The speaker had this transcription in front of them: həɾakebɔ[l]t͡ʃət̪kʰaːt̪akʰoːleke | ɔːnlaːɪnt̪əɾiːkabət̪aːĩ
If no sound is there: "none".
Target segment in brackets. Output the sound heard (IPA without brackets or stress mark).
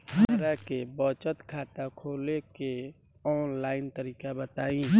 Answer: none